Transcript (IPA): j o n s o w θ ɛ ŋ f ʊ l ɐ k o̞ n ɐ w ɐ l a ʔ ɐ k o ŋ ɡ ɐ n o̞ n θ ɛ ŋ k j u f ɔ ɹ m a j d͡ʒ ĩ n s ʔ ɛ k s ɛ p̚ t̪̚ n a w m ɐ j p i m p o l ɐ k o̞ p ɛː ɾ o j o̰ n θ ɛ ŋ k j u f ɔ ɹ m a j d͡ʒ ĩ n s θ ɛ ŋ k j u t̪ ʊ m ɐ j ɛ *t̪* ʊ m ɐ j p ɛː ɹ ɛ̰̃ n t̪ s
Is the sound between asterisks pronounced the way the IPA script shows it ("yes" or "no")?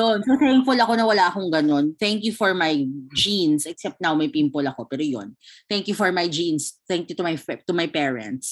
yes